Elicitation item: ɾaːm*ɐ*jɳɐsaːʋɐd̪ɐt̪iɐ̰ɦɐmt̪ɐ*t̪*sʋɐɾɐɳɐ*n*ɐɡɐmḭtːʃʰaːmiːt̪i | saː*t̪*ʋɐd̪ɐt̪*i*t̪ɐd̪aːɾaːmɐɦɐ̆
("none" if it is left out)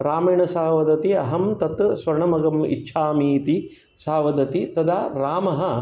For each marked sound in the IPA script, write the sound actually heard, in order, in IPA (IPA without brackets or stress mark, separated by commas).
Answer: ɐ, t̪, m, none, i